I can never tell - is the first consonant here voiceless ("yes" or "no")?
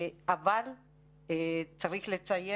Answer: no